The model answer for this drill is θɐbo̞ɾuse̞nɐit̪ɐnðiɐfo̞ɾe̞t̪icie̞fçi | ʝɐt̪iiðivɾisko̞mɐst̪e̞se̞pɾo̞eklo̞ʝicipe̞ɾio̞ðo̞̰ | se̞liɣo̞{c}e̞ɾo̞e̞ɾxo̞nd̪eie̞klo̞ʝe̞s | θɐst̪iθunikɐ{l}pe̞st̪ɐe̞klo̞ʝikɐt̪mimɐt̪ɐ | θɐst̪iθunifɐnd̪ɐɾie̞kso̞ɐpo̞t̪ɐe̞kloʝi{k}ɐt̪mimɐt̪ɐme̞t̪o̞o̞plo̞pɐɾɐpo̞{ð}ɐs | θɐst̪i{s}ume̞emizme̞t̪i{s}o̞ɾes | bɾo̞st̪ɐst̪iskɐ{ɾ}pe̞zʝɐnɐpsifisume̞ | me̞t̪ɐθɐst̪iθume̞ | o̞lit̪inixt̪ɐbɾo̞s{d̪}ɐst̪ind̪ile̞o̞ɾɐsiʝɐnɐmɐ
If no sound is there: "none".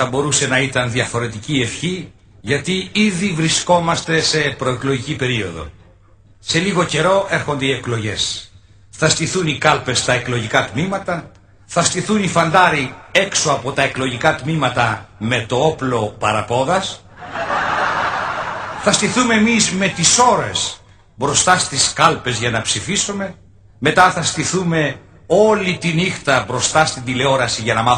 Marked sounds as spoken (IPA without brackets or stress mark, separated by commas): c, l, k, ð, θ, s, l, t̪